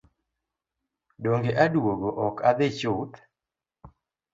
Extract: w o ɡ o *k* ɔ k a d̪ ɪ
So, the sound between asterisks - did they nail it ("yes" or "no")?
no